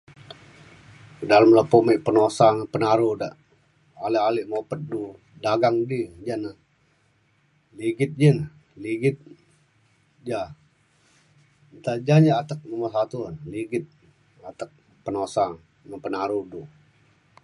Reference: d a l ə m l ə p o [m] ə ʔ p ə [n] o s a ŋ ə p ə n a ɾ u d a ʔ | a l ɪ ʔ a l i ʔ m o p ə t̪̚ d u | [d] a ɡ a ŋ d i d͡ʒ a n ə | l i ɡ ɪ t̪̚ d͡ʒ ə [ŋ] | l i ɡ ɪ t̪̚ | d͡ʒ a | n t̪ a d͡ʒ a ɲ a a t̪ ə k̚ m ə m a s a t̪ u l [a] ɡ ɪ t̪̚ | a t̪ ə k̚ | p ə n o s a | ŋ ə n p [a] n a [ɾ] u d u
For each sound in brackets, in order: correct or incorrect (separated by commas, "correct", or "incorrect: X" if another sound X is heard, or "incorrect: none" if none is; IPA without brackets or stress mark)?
correct, correct, correct, incorrect: n, incorrect: i, incorrect: ə, correct